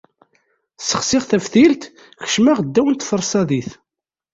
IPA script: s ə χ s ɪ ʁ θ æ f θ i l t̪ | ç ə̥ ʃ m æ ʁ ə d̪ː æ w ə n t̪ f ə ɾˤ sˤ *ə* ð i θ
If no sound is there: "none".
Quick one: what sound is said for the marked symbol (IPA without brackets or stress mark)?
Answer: ɑ